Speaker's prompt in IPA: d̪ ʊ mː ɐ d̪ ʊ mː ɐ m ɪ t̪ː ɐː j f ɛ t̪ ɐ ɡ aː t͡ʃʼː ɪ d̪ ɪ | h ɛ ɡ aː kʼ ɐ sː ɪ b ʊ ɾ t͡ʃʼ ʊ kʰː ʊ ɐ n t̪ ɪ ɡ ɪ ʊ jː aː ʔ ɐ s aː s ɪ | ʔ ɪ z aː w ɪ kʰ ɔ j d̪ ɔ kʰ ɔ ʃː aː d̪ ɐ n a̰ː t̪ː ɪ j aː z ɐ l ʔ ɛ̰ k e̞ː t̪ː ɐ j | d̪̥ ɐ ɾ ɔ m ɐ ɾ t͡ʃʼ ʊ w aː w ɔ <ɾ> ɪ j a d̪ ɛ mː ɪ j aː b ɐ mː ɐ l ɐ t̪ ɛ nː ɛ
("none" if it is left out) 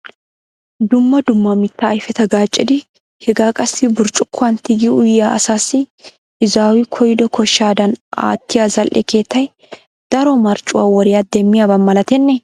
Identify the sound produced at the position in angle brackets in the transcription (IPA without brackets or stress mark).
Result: ɾ